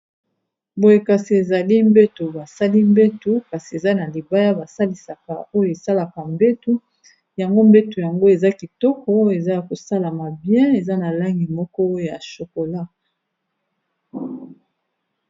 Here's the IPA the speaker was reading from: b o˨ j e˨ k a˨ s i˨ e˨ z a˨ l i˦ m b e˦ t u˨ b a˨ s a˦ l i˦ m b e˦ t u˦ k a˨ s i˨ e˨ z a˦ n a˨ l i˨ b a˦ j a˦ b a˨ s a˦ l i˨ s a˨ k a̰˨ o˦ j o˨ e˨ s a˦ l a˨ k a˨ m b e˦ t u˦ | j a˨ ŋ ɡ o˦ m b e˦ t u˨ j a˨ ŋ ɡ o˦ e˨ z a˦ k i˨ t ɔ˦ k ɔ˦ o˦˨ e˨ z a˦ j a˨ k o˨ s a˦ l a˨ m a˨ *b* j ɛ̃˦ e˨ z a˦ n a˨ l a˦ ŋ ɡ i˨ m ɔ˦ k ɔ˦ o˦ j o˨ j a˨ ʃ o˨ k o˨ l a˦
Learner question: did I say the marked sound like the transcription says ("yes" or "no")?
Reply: yes